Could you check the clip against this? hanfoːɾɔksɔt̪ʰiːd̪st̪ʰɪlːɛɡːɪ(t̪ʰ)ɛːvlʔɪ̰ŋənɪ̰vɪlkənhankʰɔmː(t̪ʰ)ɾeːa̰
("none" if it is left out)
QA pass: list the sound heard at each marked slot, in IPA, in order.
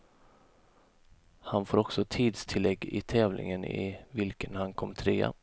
t̪ʰ, t̪ʰ

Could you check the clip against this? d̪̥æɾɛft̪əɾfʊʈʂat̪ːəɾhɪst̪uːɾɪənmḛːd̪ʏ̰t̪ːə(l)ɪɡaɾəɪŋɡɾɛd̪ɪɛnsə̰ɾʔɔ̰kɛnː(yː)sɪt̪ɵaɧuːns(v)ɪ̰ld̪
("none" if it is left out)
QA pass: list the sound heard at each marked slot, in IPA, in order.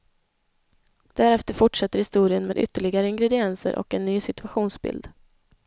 ɭ, yː, b

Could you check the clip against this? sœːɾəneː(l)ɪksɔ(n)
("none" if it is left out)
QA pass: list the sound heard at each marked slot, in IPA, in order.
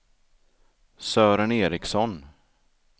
ɾ, n

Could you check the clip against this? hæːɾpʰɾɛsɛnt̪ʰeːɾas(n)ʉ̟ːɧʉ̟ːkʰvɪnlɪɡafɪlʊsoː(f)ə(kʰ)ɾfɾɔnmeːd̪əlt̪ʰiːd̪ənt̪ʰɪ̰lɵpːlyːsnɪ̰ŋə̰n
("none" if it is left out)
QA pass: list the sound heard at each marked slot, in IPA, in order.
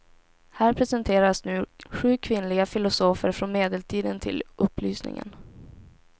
n, f, none

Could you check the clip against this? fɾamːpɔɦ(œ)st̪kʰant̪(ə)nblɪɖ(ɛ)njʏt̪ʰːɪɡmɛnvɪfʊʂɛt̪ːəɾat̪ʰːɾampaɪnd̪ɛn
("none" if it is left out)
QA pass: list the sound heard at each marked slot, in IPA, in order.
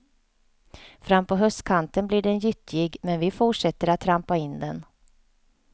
œ, ə, ɛ

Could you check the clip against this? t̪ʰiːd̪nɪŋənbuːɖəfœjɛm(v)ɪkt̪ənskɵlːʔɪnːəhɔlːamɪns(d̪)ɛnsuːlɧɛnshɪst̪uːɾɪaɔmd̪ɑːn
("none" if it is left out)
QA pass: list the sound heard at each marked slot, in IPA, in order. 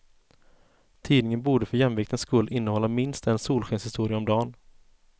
v, t̪

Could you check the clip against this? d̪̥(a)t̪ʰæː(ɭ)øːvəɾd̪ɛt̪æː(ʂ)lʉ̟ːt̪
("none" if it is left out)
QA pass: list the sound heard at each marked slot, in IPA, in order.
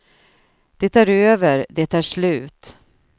ɛ, ɾ, ʂ

